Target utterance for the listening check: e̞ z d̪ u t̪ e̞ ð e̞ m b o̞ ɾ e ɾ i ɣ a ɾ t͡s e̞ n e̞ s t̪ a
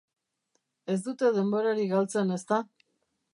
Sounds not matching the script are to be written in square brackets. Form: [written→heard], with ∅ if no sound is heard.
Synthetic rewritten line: e̞ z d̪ u t̪ e̞ ð e̞ m b o̞ ɾ [e→a] ɾ i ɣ a [ɾ→l] t͡s e̞ n e̞ s t̪ a